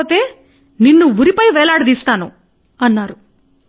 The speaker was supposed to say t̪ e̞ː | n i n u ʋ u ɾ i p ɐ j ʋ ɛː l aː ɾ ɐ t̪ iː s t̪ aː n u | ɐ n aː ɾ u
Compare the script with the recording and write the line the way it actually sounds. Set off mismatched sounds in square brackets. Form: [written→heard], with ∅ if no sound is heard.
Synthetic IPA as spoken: t̪ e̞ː | n i [n→nː] u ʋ u ɾ i p ɐ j ʋ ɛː l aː [ɾ→ɽ] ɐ [t̪→d̪] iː s t̪ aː n u | ɐ [n→nː] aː ɾ u